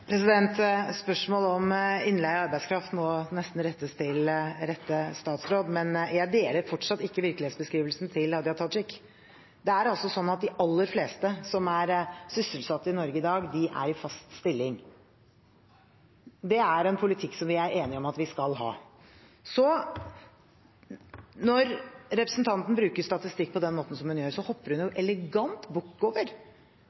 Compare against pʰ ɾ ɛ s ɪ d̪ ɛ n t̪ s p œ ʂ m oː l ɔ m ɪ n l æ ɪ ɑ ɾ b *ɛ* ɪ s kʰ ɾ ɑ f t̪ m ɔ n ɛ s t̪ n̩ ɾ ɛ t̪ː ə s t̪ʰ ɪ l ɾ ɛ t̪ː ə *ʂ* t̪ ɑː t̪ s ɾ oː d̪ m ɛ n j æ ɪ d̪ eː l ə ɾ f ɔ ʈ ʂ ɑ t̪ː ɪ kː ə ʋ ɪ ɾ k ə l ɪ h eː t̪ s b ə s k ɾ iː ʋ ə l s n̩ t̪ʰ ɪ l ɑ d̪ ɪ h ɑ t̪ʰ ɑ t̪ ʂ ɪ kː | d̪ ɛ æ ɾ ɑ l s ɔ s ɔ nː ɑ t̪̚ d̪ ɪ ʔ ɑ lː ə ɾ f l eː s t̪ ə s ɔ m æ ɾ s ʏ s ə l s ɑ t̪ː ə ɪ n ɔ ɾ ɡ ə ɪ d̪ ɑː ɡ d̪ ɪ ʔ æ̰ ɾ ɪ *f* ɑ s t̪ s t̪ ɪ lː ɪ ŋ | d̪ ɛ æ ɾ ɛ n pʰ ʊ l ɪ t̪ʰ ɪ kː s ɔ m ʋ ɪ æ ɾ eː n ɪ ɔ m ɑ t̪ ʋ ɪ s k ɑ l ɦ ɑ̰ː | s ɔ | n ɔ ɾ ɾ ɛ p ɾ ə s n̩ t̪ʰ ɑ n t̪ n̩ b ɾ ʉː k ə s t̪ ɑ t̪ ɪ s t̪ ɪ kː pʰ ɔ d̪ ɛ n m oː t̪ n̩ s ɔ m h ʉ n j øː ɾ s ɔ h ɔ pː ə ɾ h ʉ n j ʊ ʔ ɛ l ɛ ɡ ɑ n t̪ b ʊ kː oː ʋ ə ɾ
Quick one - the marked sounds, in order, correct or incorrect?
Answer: incorrect, incorrect, correct

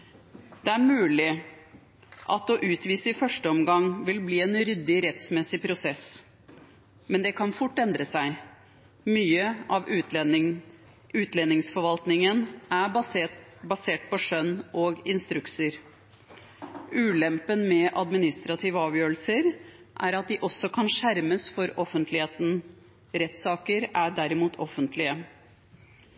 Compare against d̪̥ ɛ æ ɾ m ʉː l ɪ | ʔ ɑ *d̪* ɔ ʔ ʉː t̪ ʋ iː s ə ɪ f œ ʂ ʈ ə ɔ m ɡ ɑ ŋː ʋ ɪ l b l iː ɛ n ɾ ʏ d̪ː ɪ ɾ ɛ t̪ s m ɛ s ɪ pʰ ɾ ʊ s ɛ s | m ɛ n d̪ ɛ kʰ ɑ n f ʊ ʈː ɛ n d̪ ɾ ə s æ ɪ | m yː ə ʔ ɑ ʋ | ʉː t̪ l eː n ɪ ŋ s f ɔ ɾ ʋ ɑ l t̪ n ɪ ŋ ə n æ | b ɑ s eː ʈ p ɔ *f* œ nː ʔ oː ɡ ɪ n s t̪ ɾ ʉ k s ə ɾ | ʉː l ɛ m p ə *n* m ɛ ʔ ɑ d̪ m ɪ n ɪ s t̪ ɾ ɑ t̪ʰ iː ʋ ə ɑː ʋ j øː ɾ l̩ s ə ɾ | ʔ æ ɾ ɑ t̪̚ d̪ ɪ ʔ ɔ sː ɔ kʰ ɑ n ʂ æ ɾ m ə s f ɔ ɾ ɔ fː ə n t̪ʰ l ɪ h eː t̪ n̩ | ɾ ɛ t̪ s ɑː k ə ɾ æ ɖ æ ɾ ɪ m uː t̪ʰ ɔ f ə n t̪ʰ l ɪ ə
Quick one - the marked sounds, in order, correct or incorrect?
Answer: incorrect, incorrect, correct

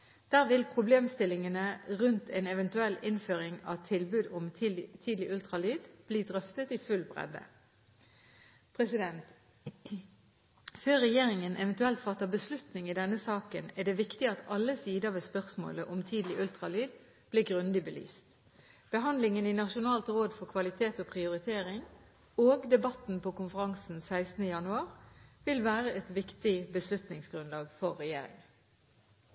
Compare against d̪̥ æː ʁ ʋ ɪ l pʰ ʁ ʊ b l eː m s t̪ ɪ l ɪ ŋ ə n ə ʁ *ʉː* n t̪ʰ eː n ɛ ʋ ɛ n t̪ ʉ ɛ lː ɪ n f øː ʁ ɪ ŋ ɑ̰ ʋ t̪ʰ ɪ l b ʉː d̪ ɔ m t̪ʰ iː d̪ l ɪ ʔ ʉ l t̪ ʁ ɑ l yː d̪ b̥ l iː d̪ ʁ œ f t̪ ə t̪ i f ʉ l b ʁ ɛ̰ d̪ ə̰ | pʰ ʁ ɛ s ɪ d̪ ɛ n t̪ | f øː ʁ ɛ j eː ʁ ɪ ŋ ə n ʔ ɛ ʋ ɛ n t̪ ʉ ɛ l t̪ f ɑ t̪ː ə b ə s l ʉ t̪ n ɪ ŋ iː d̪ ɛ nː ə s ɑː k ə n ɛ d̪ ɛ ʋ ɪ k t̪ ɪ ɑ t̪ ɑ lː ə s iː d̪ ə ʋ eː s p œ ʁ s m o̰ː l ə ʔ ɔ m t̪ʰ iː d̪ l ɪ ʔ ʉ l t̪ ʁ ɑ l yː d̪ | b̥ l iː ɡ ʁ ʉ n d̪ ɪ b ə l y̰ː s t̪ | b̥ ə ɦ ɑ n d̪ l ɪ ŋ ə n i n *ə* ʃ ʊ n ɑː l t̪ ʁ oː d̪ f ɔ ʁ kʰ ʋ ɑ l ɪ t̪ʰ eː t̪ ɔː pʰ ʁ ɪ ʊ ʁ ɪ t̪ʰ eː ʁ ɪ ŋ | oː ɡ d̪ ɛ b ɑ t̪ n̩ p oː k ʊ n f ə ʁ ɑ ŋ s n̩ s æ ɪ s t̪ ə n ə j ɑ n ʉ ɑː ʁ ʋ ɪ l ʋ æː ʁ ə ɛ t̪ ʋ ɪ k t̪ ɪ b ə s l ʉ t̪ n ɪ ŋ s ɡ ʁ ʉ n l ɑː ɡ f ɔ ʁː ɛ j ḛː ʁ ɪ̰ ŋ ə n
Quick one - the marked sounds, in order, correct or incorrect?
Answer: incorrect, incorrect

